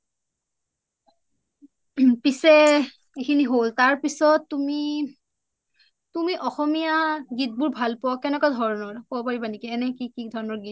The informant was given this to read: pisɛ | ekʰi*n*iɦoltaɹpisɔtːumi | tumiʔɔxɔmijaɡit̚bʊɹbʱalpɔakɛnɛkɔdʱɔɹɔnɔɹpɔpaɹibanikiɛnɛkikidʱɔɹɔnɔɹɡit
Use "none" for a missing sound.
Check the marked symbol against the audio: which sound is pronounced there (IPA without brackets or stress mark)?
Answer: n